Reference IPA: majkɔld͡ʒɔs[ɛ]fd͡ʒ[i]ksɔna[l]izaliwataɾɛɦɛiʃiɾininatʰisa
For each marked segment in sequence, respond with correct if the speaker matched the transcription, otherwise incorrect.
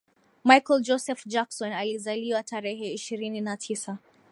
correct, incorrect: a, correct

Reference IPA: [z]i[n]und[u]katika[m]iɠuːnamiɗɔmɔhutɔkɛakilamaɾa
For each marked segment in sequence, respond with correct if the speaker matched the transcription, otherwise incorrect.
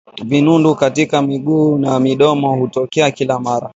incorrect: v, correct, correct, correct

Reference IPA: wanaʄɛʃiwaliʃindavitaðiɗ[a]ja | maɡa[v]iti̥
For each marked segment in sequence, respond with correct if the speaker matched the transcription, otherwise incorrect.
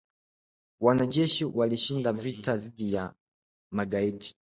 incorrect: i, incorrect: none

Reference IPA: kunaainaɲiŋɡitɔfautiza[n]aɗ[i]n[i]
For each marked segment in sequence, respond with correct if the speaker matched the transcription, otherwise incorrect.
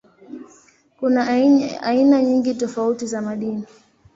incorrect: m, correct, correct

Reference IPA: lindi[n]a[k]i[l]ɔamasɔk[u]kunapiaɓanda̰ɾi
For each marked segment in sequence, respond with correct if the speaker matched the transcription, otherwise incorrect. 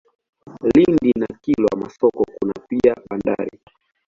correct, correct, correct, incorrect: ɔ

